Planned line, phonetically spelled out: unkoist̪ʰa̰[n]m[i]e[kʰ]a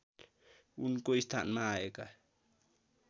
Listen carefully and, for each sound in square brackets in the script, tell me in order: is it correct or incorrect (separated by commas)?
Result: correct, incorrect, incorrect